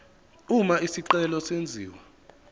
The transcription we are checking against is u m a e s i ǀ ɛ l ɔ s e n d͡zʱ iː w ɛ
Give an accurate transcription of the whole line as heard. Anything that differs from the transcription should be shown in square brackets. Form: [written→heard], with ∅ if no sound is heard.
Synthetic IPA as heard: u m a [e→i] s i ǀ ɛ l ɔ s e n d͡zʱ iː w [ɛ→a]